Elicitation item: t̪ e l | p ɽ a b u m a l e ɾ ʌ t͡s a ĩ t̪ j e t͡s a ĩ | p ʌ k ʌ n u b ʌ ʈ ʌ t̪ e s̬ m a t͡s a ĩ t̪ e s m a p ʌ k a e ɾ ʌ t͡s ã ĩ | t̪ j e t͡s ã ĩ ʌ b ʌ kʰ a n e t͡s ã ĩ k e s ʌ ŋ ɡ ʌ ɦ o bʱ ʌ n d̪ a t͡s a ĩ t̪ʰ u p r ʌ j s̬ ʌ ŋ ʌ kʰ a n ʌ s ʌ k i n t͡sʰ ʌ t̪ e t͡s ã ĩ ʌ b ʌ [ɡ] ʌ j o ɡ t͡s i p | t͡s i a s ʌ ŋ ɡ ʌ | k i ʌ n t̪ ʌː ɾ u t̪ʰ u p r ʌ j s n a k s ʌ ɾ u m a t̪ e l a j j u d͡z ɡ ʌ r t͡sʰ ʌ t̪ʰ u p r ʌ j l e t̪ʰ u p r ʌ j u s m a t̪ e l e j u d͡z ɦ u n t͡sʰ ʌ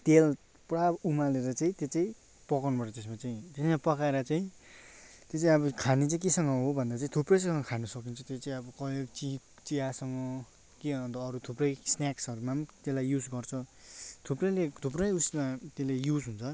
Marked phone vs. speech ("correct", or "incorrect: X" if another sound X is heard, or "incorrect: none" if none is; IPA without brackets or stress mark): incorrect: k